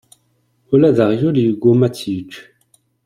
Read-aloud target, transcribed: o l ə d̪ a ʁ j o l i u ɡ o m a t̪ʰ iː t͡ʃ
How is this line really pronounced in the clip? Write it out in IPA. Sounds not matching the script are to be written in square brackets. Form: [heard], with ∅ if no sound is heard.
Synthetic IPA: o l [a] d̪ a ʁ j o l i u ɡ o m a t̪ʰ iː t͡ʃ